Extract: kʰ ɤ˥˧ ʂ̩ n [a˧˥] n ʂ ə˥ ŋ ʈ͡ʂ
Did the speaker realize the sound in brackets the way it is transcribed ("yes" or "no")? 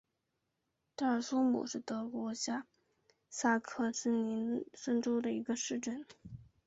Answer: no